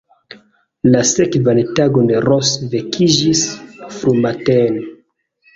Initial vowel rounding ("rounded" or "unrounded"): unrounded